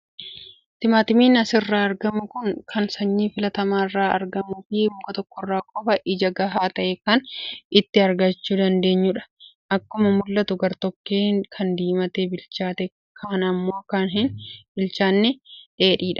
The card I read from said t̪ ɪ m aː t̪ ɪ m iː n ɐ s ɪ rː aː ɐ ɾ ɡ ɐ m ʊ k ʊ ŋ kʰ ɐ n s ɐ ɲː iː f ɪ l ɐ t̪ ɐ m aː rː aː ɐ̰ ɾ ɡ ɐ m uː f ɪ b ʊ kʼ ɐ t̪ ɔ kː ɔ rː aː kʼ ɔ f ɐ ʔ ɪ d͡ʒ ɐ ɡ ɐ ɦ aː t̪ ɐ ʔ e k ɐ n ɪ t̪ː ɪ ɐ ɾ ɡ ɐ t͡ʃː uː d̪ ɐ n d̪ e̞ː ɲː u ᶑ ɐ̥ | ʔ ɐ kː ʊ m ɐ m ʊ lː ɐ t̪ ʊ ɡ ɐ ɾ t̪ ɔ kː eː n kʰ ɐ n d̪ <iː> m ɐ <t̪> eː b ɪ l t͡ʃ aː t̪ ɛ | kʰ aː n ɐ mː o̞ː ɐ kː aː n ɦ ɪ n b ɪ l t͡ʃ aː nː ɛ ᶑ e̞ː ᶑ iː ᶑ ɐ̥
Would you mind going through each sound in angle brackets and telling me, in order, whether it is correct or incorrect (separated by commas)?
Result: correct, correct